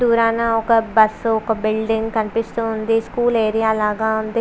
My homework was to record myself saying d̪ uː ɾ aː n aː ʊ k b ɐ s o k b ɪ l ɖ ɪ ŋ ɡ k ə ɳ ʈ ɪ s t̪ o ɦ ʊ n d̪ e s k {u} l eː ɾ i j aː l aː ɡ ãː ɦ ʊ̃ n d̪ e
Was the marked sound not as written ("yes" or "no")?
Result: yes